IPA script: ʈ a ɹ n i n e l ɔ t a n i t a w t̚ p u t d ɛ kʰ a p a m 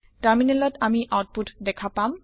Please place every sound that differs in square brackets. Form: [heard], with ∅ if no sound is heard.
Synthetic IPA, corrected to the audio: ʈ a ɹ [m] i n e l ɔ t a [m] i [ʔ] a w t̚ p u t d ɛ kʰ a p a m